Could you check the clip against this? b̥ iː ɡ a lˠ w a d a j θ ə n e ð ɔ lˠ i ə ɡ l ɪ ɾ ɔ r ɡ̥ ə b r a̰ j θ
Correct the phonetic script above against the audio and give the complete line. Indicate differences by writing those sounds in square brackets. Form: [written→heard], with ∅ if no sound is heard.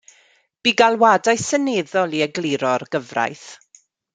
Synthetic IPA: b̥ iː ɡ a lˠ w a d a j [θ→s] ə n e ð ɔ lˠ i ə ɡ l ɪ ɾ ɔ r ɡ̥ ə [b→v] r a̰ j θ